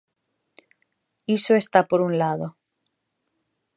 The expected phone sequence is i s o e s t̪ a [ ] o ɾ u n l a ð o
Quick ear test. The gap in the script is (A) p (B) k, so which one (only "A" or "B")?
A